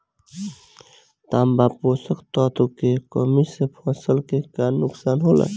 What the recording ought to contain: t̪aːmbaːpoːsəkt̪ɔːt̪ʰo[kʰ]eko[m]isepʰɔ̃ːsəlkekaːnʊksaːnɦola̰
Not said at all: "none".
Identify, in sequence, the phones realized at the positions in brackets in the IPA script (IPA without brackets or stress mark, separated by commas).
k, m